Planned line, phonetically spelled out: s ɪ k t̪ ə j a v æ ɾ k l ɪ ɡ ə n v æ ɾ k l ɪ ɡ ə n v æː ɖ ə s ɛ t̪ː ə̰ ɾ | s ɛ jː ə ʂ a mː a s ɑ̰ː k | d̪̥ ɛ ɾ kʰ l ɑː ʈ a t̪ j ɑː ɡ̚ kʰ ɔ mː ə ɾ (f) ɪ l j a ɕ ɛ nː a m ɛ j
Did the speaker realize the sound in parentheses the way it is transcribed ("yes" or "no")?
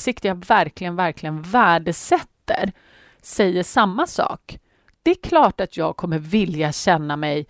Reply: no